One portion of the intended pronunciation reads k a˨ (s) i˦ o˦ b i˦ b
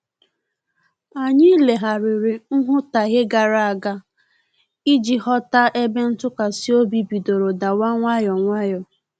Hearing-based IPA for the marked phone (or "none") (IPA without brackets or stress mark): s